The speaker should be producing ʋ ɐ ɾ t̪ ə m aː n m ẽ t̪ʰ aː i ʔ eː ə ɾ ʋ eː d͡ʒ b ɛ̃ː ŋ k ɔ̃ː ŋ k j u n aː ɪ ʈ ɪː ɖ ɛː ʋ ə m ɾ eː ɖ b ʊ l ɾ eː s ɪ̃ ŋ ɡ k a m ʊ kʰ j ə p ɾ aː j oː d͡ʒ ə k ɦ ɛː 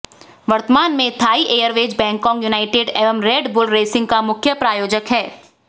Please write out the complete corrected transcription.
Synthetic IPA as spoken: ʋ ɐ ɾ t̪ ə m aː n m ẽ t̪ʰ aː i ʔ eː ə ɾ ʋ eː d͡ʒ b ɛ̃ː ŋ k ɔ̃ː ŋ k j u n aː ɪ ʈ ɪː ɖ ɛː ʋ ə m ɾ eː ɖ b ʊ l ɾ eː s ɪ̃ ŋ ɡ k a m ʊ kʰ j ə p ɾ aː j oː d͡ʒ ə k ɦ ɛː